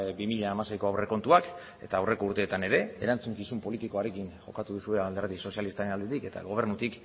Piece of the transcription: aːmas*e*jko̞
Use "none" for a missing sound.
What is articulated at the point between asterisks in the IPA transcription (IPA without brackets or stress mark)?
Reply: e